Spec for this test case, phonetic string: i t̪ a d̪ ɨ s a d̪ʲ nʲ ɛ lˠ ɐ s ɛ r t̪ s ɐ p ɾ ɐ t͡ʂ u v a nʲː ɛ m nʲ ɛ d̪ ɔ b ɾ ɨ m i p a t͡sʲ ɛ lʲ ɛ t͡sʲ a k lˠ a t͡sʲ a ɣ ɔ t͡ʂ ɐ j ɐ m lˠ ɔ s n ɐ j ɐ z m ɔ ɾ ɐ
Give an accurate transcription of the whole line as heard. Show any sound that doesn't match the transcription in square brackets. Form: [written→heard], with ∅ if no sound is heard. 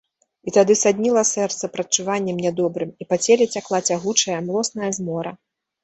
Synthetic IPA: i t̪ a d̪ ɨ s a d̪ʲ nʲ [ɛ→i] lˠ ɐ s ɛ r t̪ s ɐ p ɾ ɐ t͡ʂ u v a nʲː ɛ m nʲ ɛ d̪ ɔ b ɾ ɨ m i p a t͡sʲ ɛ lʲ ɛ t͡sʲ a k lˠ a t͡sʲ a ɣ [ɔ→u] t͡ʂ ɐ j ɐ m lˠ ɔ s n ɐ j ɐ z m ɔ ɾ ɐ